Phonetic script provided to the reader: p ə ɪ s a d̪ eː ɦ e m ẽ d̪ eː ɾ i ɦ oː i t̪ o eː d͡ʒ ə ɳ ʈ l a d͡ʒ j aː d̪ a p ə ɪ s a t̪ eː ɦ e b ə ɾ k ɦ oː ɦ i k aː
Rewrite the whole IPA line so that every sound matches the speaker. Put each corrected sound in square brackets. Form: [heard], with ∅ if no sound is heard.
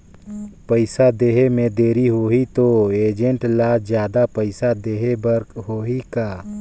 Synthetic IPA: p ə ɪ s a d̪ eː ɦ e m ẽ d̪ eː ɾ i ɦ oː i t̪ o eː d͡ʒ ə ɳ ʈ l a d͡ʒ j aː d̪ a p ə ɪ s a [d̪] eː ɦ e b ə ɾ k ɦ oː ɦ i k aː